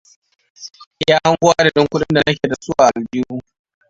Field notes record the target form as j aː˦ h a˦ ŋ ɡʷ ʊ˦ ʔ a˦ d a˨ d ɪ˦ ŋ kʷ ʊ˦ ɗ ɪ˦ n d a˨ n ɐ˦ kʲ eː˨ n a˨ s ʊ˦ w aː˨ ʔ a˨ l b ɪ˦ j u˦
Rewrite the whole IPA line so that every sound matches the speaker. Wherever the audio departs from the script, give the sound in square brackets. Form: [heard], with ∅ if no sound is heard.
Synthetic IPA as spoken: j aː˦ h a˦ ŋ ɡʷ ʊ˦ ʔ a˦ d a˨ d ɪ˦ ŋ kʷ ʊ˦ ɗ ɪ˦ n d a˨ n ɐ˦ kʲ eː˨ [d] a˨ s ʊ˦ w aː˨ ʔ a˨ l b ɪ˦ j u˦